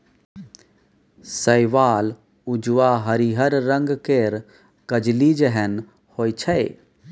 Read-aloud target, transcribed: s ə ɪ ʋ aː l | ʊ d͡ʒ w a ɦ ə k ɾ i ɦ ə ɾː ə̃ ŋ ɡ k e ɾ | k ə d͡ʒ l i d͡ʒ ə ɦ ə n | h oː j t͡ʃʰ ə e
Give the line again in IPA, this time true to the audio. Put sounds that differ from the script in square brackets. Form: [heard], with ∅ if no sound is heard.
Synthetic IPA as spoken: s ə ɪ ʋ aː l | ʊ d͡ʒ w a ɦ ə [∅] ɾ i ɦ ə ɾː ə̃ ŋ ɡ k e ɾ | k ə d͡ʒ l i d͡ʒ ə ɦ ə n | h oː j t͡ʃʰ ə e